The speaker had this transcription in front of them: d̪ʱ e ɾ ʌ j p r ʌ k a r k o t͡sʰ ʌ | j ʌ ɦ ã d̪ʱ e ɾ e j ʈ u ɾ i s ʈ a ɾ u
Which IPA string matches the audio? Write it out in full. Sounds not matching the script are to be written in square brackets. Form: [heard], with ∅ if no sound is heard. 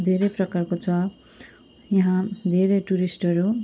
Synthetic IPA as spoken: d̪ʱ e ɾ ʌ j p r ʌ k a r k o t͡sʰ ʌ | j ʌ ɦ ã d̪ʱ e ɾ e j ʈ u ɾ i s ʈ [ʌ] ɾ u